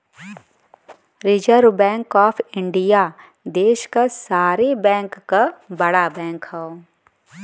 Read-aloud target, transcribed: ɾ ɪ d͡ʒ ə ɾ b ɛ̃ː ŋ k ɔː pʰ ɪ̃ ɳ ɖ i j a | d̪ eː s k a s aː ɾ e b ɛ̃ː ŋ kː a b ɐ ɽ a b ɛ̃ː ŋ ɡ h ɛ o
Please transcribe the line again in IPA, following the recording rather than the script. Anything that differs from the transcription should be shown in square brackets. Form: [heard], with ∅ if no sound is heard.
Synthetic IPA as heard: ɾ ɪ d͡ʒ ə ɾ b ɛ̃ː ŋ k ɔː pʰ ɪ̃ ɳ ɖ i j a | d̪ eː [ʃ] k a s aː ɾ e b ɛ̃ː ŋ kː a b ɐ ɽ a b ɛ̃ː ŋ [k] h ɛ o

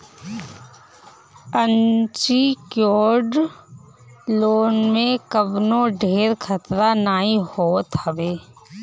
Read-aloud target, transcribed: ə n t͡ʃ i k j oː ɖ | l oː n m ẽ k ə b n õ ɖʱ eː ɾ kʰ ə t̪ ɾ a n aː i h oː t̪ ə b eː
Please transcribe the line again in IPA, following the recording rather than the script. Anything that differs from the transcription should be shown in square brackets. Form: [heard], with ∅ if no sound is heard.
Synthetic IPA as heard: ə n t͡ʃ i k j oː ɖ | l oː n m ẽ k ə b n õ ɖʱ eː ɾ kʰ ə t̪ ɾ a n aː i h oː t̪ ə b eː

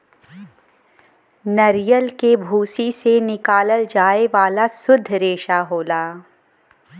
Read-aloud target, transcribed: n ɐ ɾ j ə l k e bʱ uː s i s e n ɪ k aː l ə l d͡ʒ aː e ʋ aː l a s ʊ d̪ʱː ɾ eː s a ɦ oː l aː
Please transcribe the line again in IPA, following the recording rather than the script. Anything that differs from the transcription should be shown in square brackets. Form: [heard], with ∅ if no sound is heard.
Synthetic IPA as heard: n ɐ ɾ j ə l k e bʱ uː s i s e n ɪ k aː l ə l d͡ʒ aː e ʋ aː l a s ʊ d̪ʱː ɾ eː [ʃ] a ɦ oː l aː

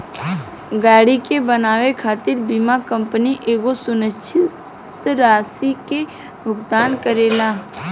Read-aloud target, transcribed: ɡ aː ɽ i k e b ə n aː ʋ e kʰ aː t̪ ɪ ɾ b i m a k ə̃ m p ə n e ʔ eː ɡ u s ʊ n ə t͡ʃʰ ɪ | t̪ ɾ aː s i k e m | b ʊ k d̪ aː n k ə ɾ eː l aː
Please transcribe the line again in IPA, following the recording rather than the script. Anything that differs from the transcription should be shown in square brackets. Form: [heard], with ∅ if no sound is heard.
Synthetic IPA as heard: ɡ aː ɽ i k e b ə n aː ʋ e kʰ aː t̪ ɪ ɾ b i m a k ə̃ m p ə n [i] ʔ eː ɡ [o] s ʊ n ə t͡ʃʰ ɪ | t̪ ɾ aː s i k e [∅] | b ʊ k d̪ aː n k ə ɾ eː l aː

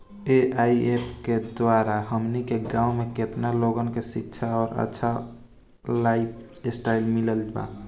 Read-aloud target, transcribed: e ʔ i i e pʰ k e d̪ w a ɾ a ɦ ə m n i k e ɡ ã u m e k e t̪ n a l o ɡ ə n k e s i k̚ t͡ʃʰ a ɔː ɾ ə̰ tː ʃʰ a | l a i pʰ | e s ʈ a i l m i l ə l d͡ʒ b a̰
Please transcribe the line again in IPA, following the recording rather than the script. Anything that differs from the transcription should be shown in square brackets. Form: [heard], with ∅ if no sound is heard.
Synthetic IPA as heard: e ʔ [a] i e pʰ k e d̪ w a ɾ a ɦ ə m n i k e ɡ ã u m e k e t̪ n a l o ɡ ə n k e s i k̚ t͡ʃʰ a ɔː ɾ ə̰ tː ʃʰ a | l a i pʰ | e s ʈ a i l m i l ə l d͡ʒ b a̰

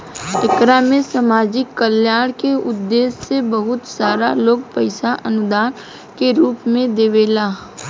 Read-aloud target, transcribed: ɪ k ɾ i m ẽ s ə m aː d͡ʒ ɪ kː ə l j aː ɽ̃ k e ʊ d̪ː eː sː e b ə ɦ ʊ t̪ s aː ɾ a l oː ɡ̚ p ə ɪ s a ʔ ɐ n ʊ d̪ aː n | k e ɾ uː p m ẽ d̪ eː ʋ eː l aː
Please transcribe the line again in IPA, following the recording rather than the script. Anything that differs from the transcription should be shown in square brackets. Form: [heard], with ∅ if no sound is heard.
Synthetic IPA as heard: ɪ k ɾ [a] m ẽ s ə m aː d͡ʒ ɪ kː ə l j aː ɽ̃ k e ʊ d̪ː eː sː e b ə ɦ ʊ t̪ s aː ɾ a l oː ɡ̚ p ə ɪ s a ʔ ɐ n ʊ d̪ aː n | k e ɾ uː p m ẽ d̪ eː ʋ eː l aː

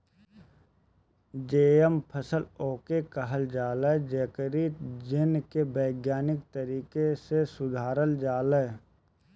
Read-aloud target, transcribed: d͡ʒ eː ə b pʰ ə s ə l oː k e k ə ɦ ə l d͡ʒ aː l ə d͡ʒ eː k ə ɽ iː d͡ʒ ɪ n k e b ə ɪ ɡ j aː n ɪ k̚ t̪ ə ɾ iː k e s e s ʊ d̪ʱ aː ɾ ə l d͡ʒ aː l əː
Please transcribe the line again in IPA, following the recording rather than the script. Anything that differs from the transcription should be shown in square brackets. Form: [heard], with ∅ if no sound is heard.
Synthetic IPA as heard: d͡ʒ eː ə [m] pʰ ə s ə l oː k e k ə ɦ ə l d͡ʒ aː l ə d͡ʒ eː k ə [ɾ] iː d͡ʒ ɪ n k e b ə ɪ ɡ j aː n ɪ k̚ t̪ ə ɾ iː k e s e s ʊ d̪ʱ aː ɾ ə l d͡ʒ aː l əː

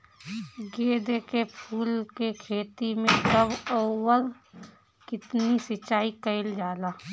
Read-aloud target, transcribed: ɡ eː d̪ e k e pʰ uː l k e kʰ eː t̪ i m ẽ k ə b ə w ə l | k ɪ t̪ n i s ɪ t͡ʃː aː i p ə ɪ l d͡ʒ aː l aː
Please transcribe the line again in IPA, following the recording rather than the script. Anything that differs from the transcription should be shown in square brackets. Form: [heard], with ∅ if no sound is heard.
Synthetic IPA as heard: ɡ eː d̪ e k e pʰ uː l k e kʰ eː t̪ i m ẽ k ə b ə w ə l | k ɪ t̪ n i s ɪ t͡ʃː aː i [k] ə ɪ l d͡ʒ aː l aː

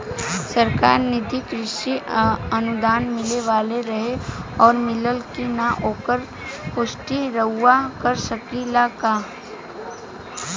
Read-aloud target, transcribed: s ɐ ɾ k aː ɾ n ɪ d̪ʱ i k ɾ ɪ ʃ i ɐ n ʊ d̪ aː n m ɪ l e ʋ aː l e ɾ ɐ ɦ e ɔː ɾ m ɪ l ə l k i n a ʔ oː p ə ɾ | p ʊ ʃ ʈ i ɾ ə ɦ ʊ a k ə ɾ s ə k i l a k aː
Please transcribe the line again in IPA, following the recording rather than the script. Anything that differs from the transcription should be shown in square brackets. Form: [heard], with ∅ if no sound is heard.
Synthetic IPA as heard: s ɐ ɾ k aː ɾ n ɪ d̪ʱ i k ɾ ɪ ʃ i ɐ n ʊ d̪ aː n m ɪ l e ʋ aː l e ɾ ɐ ɦ e ɔː ɾ m ɪ l ə l k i n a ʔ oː [k] ə ɾ | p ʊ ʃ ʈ i ɾ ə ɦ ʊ a k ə ɾ s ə k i l a k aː

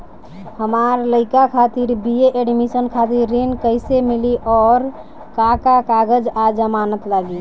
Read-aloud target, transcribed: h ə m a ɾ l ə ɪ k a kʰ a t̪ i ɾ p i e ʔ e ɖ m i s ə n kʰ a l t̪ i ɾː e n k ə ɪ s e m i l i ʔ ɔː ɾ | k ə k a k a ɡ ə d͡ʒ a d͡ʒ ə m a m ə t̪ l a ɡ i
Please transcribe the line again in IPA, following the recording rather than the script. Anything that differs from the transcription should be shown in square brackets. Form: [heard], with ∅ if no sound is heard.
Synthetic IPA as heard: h ə m a ɾ l ə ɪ k a kʰ a t̪ i ɾ [b] i e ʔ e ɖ m i s ə n kʰ a [∅] t̪ i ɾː e n k ə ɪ s e m i l i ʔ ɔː ɾ | k [a] k a k a ɡ ə d͡ʒ a d͡ʒ ə m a [n] ə t̪ l a ɡ i

